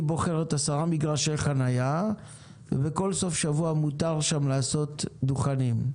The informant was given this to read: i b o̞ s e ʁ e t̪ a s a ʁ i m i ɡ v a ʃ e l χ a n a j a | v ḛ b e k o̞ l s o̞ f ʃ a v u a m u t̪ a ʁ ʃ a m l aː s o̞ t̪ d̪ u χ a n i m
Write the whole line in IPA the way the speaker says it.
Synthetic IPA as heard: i b o̞ χ e ʁ e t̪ a s a ʁ a m i ɡ ʁ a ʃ e l χ a n a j a | v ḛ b e k o̞ l s o̞ f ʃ a v u a m u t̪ a ʁ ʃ a m l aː s o̞ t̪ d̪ u χ a n i m